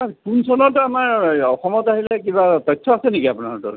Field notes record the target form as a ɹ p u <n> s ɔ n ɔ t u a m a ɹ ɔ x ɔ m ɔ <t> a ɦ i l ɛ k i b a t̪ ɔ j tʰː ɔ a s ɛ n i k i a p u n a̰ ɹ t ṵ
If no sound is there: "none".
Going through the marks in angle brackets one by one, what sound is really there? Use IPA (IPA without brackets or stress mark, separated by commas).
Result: n, t